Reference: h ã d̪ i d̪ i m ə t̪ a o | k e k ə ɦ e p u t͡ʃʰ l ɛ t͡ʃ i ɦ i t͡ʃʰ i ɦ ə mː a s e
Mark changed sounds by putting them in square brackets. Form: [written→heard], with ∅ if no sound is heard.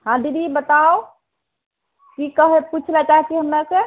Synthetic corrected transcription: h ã d̪ i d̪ i [m→b] ə t̪ a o | k [e→i] k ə ɦ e p u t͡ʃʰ l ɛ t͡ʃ [i→a] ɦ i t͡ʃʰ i ɦ ə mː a s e

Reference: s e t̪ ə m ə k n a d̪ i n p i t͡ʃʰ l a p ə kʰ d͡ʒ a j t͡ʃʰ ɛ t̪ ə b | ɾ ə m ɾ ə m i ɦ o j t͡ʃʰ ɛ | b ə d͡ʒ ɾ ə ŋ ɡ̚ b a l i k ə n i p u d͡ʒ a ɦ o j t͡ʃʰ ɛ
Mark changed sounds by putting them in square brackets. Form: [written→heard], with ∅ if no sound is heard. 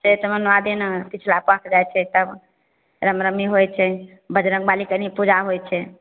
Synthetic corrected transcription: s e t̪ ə m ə [k→∅] n a d̪ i n p i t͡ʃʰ l a p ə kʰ d͡ʒ a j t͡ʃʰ ɛ t̪ ə b | ɾ ə m ɾ ə m i ɦ o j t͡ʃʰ ɛ | b ə d͡ʒ ɾ ə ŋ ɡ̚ b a l i k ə n i p u d͡ʒ a ɦ o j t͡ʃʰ ɛ

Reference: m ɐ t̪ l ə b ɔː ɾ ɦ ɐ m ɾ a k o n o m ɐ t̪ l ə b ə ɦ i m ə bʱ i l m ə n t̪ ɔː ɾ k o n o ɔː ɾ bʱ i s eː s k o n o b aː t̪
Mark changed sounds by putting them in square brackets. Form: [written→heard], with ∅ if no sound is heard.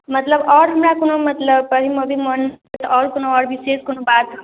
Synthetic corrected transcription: m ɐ t̪ l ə b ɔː ɾ ɦ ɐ m ɾ a k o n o m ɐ t̪ l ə b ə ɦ i m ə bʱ i [l→∅] m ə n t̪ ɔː ɾ k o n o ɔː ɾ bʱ i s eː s k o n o b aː t̪

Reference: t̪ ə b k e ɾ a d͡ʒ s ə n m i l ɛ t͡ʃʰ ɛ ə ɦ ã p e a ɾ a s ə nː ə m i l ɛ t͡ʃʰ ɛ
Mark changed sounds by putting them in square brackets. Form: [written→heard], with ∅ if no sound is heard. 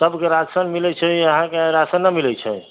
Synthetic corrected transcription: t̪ ə b k e ɾ a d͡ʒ s ə n m i l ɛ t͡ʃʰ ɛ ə ɦ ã [p→k] e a ɾ a s ə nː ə m i l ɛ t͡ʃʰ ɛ

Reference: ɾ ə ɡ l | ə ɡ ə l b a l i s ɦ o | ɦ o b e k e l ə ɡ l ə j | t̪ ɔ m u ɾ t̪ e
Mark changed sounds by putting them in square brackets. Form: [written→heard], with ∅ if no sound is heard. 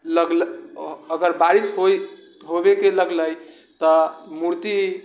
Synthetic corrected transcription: [ɾ→l] ə ɡ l | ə ɡ ə [l→ɾ] b a [l→ɾ] i s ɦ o | ɦ o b e k e l ə ɡ l ə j | t̪ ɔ m u ɾ t̪ [e→i]

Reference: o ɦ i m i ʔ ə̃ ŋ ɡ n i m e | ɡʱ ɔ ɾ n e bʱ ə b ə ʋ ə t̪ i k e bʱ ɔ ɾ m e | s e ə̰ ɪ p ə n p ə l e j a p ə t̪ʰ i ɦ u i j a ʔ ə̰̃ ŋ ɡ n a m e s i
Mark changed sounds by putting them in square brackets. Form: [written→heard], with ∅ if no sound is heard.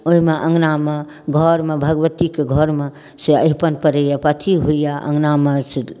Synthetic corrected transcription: o ɦ i m [i→e] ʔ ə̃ ŋ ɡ n [i→a] m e | ɡʱ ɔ ɾ [n→m] e bʱ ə [b→ɡ] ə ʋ ə t̪ i k e [bʱ→ɡʱ] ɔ ɾ m e | s e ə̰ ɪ p ə n p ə [l→ɾ] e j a p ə t̪ʰ i ɦ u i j a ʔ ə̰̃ ŋ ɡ n a m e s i

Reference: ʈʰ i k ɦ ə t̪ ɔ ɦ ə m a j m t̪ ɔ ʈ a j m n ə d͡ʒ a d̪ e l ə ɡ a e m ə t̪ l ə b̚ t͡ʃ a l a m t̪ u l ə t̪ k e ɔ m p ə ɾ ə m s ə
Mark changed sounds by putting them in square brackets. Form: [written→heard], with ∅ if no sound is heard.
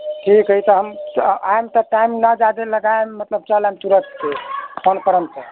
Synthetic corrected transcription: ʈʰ i k ɦ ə t̪ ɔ ɦ ə m a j m t̪ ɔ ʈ a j m n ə d͡ʒ a d̪ e l ə ɡ a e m ə t̪ l ə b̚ t͡ʃ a l a m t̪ u [l→ɾ] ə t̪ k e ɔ [m→n] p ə ɾ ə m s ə

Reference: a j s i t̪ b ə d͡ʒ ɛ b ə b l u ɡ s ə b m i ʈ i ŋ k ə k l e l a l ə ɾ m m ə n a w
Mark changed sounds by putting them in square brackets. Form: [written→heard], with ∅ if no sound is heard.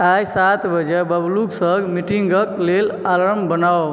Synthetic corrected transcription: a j s [i→a] t̪ b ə d͡ʒ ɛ b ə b l u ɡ s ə [b→ɡ] m i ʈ i ŋ [k→ɡ] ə k l e l a l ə ɾ m [m→b] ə n a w

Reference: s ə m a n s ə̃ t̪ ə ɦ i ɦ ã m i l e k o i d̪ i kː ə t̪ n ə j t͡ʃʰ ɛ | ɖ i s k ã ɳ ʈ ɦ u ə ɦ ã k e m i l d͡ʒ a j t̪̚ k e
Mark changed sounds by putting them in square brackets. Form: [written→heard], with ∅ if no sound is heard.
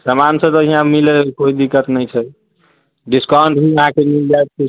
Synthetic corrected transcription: s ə m a n s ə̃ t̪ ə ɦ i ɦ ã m i l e k o i d̪ i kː ə t̪ n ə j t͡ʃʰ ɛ | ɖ i s k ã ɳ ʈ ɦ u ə ɦ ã k e m i l d͡ʒ a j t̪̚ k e

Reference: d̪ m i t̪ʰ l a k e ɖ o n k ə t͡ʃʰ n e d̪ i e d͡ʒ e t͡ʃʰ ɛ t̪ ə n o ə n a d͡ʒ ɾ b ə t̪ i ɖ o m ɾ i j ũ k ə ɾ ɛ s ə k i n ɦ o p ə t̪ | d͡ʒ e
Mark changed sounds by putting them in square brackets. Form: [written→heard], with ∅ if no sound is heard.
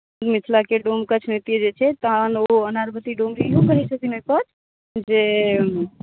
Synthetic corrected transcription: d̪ m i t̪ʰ l a k e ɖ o [n→m] k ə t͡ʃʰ n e [d̪→t̪] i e d͡ʒ e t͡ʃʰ ɛ t̪ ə n o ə n a [d͡ʒ→∅] ɾ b ə t̪ i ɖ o m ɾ i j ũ k ə ɾ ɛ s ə k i n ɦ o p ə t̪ | d͡ʒ e

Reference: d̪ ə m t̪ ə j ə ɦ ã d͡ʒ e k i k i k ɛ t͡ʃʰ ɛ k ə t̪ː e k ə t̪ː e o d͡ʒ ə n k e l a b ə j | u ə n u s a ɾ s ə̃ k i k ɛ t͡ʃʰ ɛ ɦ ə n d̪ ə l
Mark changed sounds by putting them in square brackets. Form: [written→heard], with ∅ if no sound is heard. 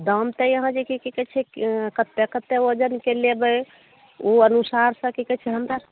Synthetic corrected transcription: d̪ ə m t̪ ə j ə ɦ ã d͡ʒ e k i k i k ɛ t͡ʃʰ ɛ k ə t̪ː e k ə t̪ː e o d͡ʒ ə n k e l [a→e] b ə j | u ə n u s a ɾ s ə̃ k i k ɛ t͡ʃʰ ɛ ɦ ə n d̪ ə [l→ɾ]

